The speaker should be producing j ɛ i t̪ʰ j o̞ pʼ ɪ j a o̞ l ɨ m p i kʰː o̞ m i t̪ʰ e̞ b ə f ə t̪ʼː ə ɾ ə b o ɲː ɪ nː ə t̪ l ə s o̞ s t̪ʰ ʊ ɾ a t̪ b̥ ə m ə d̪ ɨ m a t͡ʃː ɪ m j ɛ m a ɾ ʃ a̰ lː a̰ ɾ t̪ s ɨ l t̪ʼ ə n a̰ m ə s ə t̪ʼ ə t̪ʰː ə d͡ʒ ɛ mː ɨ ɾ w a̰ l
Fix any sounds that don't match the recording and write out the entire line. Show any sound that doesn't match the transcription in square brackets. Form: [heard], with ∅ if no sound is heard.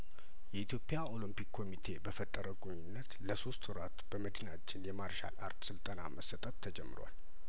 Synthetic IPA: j ɛ i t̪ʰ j o̞ pʼ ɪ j a o̞ l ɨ m p i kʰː o̞ m i t̪ʰ e̞ b ə f ə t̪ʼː ə ɾ ə [ɡ] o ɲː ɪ nː ə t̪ l ə s o̞ s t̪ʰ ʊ ɾ a t̪ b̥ ə m ə d̪ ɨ [n] a t͡ʃː ɪ [n] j ɛ m a ɾ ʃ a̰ [l] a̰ ɾ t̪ s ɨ l t̪ʼ ə n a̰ m ə s ə t̪ʼ ə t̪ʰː ə d͡ʒ ɛ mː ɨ ɾ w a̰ l

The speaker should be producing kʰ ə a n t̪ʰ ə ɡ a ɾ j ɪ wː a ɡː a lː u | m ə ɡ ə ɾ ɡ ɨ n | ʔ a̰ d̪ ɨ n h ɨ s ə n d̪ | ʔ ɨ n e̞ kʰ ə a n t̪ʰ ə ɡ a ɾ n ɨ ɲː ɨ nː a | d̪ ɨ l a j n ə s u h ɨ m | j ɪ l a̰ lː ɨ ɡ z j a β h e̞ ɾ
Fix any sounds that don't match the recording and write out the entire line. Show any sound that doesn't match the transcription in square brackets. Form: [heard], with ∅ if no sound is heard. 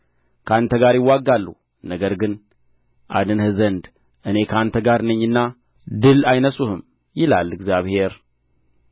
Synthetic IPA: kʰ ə a n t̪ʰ ə ɡ a ɾ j ɪ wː a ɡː a lː u | [n] ə ɡ ə ɾ ɡ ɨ n | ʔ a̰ d̪ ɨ n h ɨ [z] ə n d̪ | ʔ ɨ n e̞ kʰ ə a n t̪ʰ ə ɡ a ɾ n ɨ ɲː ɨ nː a | d̪ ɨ l a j n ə s u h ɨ m | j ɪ l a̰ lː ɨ ɡ z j a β h e̞ ɾ

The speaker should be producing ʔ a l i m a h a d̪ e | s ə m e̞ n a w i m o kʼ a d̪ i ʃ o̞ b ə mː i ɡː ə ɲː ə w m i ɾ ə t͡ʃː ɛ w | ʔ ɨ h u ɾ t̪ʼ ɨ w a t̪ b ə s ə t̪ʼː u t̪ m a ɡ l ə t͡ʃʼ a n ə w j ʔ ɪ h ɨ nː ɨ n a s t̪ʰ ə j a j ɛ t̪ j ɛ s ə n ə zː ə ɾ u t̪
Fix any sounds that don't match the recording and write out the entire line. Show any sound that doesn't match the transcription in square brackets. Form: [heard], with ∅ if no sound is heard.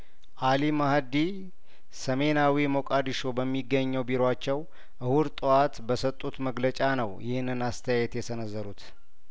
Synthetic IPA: ʔ a l i m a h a d̪ [i] | s ə m e̞ n a w i m o kʼ a d̪ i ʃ o̞ b ə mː i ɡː ə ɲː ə w [b] i ɾ [a] t͡ʃː ɛ w | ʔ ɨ h u ɾ t̪ʼ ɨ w a t̪ b ə s ə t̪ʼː u t̪ m [ə] ɡ l ə t͡ʃʼ a n ə w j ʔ ɪ h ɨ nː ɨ n a s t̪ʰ ə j a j ɛ t̪ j ɛ s ə n ə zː ə ɾ u t̪

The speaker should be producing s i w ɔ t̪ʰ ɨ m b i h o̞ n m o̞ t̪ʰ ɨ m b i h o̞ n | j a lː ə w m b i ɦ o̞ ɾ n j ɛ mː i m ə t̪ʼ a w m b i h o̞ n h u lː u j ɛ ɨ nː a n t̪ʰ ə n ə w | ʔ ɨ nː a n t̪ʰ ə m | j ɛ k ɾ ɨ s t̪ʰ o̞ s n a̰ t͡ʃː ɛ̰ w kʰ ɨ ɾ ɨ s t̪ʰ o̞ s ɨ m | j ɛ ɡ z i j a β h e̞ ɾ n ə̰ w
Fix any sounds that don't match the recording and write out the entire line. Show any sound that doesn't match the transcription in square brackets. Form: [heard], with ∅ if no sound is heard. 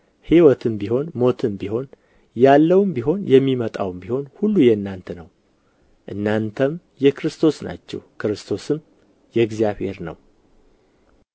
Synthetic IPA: [h] i w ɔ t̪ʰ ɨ m b i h o̞ n m o̞ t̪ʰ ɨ m b i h o̞ n | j a lː ə w m b i ɦ o̞ [∅] n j ɛ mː i m ə t̪ʼ a w m b i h o̞ n h u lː u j ɛ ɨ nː a n t̪ʰ ə n ə w | ʔ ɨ nː a n t̪ʰ ə m | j ɛ k ɾ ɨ s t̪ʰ o̞ s n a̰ t͡ʃː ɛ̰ w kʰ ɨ ɾ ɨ s t̪ʰ o̞ s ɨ m | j ɛ ɡ z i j a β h e̞ ɾ n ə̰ w

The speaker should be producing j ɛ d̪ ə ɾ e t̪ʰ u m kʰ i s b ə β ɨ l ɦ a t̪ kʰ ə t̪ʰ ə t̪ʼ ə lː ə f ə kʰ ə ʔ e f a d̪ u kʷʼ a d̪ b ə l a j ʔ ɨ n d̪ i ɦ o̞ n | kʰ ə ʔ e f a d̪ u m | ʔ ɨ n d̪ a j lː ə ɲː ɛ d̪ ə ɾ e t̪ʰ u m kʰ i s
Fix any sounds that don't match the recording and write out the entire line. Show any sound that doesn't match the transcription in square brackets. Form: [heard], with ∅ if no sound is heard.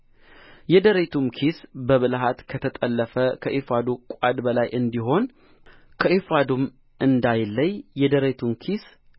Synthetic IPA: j ɛ d̪ ə ɾ e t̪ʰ u m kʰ i s b ə β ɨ l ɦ a t̪ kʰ ə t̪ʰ ə t̪ʼ ə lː ə f ə kʰ ə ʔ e f a d̪ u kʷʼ a d̪ b ə l a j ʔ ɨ n d̪ i ɦ o̞ n | kʰ ə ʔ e f a d̪ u m | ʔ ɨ n d̪ a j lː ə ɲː ɛ d̪ ə ɾ e t̪ʰ u m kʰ i s

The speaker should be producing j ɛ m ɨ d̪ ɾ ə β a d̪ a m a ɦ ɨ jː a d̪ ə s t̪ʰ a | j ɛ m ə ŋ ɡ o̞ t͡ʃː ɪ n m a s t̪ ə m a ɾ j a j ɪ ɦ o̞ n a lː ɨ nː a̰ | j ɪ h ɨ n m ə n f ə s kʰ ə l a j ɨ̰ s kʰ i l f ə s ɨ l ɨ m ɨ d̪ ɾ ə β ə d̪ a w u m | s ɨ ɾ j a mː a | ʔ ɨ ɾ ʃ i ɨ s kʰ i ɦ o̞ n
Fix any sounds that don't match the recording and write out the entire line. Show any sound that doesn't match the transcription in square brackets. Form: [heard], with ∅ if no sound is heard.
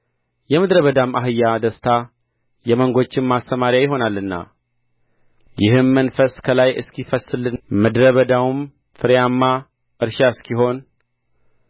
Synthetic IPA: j ɛ m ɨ d̪ ɾ ə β [ə] d̪ a m a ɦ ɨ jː a d̪ ə s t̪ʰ a | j ɛ m ə ŋ ɡ o̞ t͡ʃː ɪ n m a s t̪ ə m a ɾ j a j ɪ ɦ o̞ n a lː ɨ nː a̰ | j ɪ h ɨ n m ə n f ə s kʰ ə l a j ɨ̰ s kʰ i [∅] f ə s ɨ l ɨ m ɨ d̪ ɾ ə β ə d̪ a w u m | [f] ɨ ɾ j a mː a | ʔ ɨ ɾ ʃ [a] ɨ s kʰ i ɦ o̞ n

